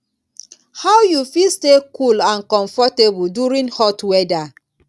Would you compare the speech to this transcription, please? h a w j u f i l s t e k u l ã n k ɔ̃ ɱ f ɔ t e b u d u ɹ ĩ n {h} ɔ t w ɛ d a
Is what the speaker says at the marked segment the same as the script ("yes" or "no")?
yes